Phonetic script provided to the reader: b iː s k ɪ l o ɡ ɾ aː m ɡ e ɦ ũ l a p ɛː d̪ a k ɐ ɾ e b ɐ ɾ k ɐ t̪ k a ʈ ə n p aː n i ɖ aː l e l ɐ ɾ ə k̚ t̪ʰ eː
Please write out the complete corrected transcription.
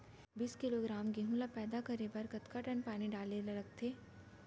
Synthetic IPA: b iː s k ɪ l o ɡ ɾ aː m ɡ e ɦ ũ l a p ɛː d̪ a k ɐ ɾ e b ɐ ɾ k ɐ t̪ k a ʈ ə n p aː n i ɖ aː l e l ɐ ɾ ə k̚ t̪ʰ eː